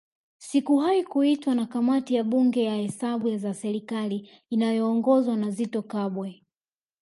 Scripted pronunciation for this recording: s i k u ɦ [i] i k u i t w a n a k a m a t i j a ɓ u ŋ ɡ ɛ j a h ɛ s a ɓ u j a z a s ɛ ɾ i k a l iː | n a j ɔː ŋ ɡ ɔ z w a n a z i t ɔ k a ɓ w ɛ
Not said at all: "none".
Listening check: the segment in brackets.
a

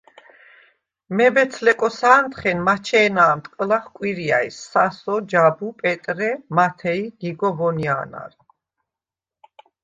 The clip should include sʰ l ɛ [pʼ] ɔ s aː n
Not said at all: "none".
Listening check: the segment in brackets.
kʼ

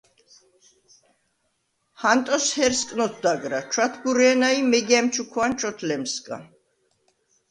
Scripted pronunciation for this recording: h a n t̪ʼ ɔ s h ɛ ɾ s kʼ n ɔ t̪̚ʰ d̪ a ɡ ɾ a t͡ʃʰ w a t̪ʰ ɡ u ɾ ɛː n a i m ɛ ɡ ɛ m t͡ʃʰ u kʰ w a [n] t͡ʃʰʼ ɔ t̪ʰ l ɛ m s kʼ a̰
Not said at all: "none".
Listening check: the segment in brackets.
n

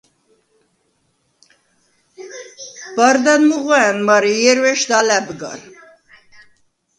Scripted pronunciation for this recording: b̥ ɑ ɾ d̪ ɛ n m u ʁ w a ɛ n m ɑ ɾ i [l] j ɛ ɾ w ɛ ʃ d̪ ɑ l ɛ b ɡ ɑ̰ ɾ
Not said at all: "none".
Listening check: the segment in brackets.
none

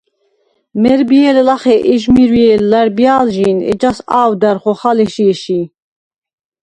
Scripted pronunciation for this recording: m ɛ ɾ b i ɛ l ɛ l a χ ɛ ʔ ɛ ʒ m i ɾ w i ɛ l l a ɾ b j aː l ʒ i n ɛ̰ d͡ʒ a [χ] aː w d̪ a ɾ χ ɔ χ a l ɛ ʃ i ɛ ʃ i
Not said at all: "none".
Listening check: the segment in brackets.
s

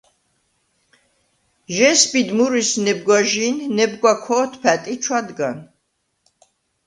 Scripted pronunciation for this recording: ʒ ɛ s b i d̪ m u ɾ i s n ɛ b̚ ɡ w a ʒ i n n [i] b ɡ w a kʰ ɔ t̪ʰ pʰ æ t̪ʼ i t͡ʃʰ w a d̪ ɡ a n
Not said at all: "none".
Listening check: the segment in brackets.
ɛ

